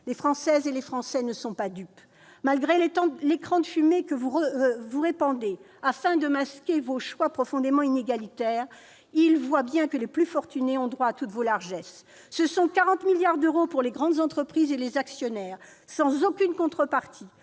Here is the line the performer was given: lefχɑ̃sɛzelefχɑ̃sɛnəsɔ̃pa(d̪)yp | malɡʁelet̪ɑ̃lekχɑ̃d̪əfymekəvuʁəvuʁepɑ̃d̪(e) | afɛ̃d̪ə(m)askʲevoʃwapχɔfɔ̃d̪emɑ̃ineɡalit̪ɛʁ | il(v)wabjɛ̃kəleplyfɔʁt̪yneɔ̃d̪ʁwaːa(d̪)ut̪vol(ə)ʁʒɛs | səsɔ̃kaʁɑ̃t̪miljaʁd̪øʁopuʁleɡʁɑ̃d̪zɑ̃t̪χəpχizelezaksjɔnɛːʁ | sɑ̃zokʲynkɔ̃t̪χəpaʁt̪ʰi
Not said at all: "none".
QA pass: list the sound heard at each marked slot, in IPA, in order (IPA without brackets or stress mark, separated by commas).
d̪, e, m, v, t̪, a